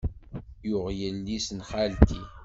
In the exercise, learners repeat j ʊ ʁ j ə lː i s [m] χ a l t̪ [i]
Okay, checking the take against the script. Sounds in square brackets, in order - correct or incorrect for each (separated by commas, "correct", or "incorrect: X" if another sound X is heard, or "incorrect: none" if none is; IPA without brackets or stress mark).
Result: incorrect: n, correct